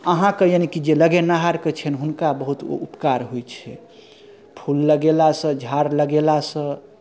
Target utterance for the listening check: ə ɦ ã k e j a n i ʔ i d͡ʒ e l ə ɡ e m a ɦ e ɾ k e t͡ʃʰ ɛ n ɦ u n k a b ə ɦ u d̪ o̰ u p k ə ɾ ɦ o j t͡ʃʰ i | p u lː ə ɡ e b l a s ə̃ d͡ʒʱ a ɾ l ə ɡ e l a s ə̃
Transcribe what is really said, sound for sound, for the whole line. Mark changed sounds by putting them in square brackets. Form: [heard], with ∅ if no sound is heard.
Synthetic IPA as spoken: ə ɦ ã k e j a n i [k] i d͡ʒ e l ə ɡ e [n] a ɦ [a] ɾ k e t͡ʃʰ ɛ n ɦ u n k a b ə ɦ u [t̪] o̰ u p k [a] ɾ ɦ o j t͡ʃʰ [ɛ] | [pʰ] u lː ə ɡ e [∅] l a s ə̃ d͡ʒʱ a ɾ l ə ɡ e l a s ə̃

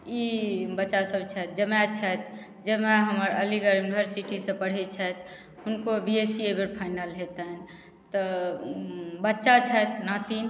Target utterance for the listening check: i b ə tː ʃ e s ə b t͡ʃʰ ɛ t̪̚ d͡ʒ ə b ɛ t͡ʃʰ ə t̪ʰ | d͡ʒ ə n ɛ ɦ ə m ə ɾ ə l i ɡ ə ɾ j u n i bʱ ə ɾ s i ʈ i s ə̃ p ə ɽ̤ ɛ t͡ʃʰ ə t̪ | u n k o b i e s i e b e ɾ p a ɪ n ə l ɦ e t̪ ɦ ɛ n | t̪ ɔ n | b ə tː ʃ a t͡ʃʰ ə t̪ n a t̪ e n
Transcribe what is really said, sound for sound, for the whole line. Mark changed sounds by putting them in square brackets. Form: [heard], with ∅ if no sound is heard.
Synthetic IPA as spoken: i b ə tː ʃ [a] s ə b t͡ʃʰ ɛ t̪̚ d͡ʒ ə [m] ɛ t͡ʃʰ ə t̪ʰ | d͡ʒ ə [m] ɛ ɦ ə m ə ɾ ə l i ɡ ə ɾ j u n i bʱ ə ɾ s i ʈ i s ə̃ p ə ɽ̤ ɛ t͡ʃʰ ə t̪ | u n k o b i e s i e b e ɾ [pʰ] a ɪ n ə l ɦ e t̪ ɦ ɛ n | t̪ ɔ [∅] | b ə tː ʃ a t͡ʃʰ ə t̪ n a t̪ [i] n

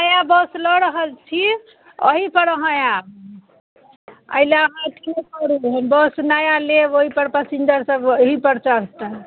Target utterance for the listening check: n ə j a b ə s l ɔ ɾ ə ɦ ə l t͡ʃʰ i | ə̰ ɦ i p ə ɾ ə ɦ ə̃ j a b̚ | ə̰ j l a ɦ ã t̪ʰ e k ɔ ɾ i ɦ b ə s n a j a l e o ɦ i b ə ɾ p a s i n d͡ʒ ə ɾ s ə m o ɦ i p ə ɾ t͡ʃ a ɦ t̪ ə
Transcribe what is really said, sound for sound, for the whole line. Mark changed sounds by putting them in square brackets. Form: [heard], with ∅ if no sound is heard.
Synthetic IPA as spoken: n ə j a b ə s l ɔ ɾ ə ɦ ə l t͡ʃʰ i | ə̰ ɦ i p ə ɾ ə ɦ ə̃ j a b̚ | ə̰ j l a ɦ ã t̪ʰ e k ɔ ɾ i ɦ b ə s n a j a l e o ɦ i [p] ə ɾ p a s i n d͡ʒ ə ɾ s ə [b] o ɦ i p ə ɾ t͡ʃ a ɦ t̪ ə

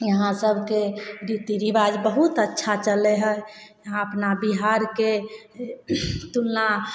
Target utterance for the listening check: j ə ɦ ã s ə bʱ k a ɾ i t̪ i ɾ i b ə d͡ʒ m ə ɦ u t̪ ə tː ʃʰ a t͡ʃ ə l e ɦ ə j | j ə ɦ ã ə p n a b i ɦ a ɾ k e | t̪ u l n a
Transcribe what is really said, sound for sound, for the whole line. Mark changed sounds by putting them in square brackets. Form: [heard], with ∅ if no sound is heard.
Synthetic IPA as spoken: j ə ɦ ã s ə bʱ k [e] ɾ i t̪ i ɾ i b [a] d͡ʒ [b] ə ɦ u t̪ ə tː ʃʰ a t͡ʃ ə l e ɦ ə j | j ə ɦ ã ə p n a b i ɦ a ɾ k e | t̪ u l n a

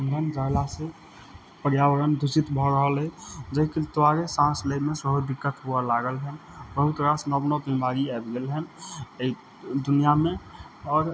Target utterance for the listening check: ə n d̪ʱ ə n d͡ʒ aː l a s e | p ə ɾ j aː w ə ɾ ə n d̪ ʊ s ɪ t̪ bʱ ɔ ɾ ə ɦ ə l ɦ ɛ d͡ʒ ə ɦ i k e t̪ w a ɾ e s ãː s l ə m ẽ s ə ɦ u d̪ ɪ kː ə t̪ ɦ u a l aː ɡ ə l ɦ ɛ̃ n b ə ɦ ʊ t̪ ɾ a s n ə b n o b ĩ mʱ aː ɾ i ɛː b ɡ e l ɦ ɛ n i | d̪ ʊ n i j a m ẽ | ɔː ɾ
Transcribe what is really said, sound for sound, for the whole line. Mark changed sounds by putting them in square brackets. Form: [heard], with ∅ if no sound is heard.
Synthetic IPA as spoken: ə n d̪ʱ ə n d͡ʒ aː l a s e | p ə ɾ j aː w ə ɾ ə n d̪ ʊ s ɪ t̪ bʱ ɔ ɾ ə ɦ ə l ɦ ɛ d͡ʒ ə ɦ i k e t̪ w a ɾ e s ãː s l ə m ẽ s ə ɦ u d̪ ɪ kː ə t̪ ɦ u a l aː ɡ ə l ɦ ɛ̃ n b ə ɦ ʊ t̪ ɾ a s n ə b n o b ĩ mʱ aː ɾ i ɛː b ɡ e l ɦ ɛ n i | d̪ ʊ n i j a m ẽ | ɔː ɾ

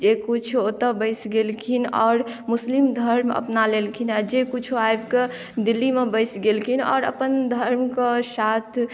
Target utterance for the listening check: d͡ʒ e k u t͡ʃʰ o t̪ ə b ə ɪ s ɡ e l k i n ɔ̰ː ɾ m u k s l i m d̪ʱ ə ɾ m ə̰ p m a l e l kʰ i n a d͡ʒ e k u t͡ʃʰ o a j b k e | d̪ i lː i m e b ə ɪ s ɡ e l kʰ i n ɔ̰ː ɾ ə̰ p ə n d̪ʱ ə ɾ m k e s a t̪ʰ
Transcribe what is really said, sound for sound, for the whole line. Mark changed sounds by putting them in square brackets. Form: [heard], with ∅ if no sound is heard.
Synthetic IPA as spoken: d͡ʒ e k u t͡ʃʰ o t̪ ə b ə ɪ s ɡ e l [kʰ] i n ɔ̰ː ɾ m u [∅] s l i m d̪ʱ ə ɾ m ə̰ p [n] a l e l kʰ i n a d͡ʒ e k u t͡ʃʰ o a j b k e | d̪ i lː i m e b ə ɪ s ɡ e l kʰ i n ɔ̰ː ɾ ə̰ p ə n d̪ʱ ə ɾ m k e s a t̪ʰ

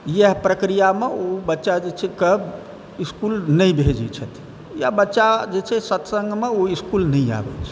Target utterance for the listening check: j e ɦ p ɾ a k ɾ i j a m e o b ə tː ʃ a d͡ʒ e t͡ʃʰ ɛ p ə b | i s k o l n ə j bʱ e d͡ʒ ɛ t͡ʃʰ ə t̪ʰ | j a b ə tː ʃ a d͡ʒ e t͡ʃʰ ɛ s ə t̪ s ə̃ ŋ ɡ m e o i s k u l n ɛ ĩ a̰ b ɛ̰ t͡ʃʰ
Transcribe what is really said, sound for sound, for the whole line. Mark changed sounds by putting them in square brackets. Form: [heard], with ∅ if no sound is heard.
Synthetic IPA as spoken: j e ɦ p ɾ [ə] k ɾ i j a m e o b ə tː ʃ a d͡ʒ e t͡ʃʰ ɛ [k] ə b | i s k [u] l n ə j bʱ e d͡ʒ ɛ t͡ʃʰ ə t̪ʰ | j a b ə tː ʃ a d͡ʒ e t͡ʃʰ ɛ s ə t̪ s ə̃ ŋ ɡ m e o i s k u l n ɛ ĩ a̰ b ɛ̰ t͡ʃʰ

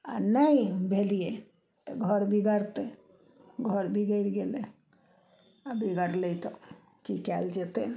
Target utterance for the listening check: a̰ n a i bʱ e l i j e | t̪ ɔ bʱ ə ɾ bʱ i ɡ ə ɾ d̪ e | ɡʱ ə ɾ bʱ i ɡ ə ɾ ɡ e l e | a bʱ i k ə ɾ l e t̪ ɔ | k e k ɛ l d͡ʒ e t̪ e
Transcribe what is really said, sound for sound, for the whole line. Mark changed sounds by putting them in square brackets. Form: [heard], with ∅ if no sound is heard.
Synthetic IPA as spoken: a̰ n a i bʱ e l i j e | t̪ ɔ [ɡʱ] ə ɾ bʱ i ɡ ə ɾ [t̪] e | ɡʱ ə ɾ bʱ i ɡ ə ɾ ɡ e l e | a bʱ i [ɡ] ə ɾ l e t̪ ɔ | k [i] k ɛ l d͡ʒ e t̪ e

